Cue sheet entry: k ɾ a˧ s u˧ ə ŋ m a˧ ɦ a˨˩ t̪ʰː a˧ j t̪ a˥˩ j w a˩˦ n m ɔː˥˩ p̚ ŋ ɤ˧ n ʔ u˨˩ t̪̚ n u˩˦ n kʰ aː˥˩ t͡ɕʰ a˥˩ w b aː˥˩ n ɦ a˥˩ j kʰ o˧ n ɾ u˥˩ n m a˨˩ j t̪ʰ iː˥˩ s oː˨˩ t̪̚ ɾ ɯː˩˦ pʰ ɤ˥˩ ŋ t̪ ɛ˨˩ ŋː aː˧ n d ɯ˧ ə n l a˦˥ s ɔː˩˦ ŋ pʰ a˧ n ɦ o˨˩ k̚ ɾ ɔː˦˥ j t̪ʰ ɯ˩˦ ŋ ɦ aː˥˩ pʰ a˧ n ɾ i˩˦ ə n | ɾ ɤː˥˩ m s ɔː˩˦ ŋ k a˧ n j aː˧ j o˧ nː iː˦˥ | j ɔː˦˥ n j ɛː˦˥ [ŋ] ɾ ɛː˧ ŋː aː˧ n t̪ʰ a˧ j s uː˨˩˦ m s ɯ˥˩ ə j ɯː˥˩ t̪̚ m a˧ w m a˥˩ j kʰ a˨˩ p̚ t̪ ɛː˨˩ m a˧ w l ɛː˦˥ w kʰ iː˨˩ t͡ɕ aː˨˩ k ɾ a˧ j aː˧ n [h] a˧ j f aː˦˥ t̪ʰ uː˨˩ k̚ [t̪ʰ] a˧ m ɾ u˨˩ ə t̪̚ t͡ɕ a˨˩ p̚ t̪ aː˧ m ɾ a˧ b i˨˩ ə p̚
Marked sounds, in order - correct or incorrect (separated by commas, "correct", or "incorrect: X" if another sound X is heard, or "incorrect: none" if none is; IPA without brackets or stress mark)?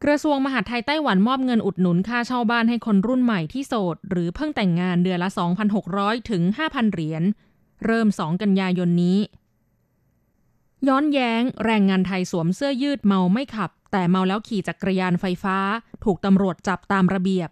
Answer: correct, incorrect: f, incorrect: t̪